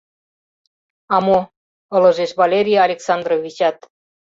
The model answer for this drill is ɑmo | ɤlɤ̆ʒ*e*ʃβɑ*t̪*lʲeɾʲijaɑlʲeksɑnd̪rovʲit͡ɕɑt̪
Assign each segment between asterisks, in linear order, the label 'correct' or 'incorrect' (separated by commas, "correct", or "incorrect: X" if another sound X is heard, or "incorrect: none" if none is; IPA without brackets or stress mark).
correct, incorrect: none